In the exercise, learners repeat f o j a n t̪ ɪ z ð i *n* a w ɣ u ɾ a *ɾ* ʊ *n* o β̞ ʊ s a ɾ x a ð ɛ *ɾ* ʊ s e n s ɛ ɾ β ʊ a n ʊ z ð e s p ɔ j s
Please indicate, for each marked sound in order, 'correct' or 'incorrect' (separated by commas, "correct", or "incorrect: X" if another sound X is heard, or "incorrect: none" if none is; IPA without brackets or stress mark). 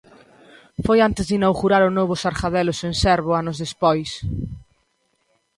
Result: correct, correct, correct, incorrect: l